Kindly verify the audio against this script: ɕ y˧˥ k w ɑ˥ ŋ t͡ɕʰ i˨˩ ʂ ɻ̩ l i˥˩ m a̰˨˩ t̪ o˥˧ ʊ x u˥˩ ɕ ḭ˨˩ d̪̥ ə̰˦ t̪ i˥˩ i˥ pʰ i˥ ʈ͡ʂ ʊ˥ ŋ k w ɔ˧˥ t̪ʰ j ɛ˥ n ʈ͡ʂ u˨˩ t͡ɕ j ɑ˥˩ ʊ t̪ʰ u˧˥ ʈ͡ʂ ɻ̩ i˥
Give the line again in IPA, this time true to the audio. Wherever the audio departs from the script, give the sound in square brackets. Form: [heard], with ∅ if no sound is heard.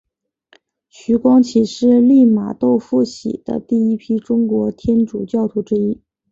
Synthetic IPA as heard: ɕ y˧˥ k w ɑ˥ ŋ t͡ɕʰ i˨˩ ʂ ɻ̩ l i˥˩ m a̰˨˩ t̪ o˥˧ ʊ [f] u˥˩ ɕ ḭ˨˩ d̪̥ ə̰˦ t̪ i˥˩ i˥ pʰ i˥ ʈ͡ʂ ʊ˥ ŋ k w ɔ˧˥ t̪ʰ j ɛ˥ n ʈ͡ʂ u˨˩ t͡ɕ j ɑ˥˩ ʊ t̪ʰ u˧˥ ʈ͡ʂ ɻ̩ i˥